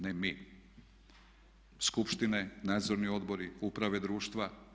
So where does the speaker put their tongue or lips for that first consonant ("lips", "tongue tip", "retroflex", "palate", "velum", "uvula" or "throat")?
tongue tip